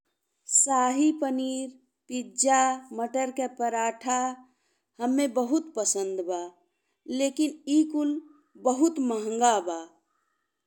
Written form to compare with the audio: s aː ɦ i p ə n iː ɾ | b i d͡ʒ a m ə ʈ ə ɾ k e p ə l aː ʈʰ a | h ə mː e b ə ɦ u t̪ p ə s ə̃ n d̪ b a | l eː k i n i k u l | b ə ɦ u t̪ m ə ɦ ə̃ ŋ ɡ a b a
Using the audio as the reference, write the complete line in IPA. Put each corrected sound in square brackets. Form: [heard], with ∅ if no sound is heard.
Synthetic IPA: s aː ɦ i p ə n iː ɾ | [p] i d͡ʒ a m ə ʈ ə ɾ k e p ə [ɾ] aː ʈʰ a | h ə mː e b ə ɦ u t̪ p ə s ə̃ n d̪ b a | l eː k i n i k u l | b ə ɦ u t̪ m ə ɦ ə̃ ŋ ɡ a b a